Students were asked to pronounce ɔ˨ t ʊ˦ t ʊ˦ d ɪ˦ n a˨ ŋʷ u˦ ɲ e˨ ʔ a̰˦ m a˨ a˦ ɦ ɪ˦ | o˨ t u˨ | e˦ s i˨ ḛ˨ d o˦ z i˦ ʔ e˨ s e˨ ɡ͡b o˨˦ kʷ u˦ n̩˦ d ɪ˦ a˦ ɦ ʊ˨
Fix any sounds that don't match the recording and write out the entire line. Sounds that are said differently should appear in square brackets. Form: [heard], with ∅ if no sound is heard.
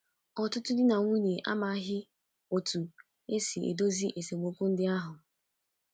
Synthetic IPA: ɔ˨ t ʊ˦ t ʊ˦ d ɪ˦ n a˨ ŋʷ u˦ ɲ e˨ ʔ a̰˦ m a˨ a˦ ɦ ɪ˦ | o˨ t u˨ | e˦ s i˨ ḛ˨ d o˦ z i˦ ʔ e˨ s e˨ ɡ͡b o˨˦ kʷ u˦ n̩˦ d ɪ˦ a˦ ɦ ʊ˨